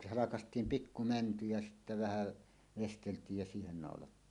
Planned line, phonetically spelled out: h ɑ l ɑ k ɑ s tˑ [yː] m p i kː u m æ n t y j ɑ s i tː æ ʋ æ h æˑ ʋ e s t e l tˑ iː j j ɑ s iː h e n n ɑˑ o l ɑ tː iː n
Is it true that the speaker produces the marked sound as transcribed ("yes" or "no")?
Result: no